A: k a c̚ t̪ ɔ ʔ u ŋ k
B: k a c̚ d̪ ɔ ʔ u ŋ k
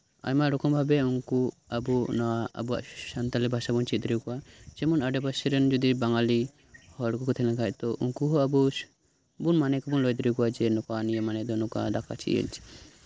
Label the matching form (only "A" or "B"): A